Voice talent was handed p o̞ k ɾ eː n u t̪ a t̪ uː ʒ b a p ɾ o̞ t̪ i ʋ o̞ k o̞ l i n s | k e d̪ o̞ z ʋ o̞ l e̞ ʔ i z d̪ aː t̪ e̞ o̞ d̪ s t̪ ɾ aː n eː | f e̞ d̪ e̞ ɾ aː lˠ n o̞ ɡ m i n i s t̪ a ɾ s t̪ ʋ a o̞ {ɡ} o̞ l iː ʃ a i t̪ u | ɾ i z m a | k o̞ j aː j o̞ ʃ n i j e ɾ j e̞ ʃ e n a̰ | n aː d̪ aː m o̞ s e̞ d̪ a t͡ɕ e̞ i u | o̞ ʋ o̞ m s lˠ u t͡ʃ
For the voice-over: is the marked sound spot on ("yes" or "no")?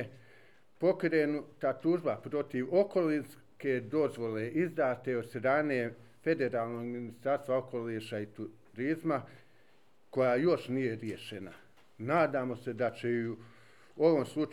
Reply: no